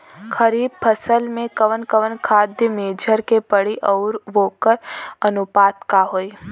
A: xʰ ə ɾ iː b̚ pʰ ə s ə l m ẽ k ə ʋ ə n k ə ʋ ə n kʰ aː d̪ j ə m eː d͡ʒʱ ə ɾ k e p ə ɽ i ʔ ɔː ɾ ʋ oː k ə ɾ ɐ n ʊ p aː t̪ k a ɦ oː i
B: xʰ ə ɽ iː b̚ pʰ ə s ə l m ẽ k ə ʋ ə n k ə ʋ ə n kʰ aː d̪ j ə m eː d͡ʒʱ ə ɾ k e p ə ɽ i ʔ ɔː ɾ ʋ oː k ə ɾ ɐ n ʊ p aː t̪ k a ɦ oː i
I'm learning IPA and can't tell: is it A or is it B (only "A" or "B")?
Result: A